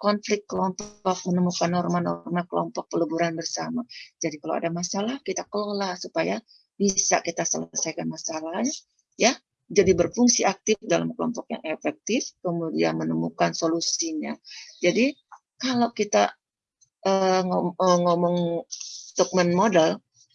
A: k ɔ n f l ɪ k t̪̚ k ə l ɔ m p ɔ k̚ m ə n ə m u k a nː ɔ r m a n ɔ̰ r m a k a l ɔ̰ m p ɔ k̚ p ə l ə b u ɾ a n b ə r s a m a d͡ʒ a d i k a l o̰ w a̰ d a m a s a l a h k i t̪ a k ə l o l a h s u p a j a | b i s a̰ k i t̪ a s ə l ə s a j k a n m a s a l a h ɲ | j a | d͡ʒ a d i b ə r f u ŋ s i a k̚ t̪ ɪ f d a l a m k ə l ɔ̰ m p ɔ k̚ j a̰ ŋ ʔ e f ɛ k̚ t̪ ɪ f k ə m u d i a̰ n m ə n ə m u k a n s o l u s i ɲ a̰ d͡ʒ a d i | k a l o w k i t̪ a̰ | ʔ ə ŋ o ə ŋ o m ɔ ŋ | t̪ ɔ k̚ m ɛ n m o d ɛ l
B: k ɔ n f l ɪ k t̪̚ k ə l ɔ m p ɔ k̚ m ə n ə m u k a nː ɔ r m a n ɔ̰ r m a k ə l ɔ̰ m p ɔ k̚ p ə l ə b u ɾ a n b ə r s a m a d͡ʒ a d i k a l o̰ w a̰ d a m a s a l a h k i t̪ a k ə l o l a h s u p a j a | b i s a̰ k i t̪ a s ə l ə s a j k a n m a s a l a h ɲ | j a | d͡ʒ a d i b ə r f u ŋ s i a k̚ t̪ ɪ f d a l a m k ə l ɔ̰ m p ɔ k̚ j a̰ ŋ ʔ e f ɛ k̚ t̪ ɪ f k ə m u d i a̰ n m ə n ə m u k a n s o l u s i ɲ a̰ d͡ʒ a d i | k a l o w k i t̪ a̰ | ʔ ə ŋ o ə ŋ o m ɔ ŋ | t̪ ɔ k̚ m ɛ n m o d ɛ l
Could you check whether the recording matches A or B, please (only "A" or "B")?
B